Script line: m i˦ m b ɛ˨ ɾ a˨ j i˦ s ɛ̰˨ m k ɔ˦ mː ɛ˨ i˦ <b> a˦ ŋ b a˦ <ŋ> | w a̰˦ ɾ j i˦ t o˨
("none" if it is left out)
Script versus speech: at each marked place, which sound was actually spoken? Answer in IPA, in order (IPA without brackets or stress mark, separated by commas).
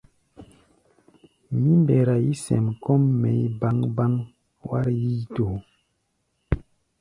b, ŋ